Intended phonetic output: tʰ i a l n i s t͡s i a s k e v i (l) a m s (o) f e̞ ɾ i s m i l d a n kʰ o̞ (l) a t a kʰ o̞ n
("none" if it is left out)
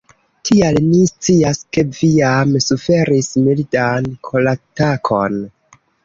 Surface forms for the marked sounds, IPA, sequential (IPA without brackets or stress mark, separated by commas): none, u, l